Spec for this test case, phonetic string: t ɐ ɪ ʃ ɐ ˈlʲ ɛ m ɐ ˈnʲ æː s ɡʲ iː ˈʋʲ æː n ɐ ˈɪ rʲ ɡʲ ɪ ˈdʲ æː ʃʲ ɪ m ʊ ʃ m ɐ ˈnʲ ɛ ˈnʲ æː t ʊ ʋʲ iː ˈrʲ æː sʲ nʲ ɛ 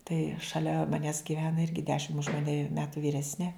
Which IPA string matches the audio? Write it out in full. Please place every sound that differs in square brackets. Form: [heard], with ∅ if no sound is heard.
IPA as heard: t ɐ ɪ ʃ ɐ ˈlʲ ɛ m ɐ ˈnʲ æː s ɡʲ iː ˈʋʲ æː n ɐ ˈɪ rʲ ɡʲ ɪ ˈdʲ æː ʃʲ ɪ m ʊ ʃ m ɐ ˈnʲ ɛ [ˈmʲ] æː t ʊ ʋʲ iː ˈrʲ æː sʲ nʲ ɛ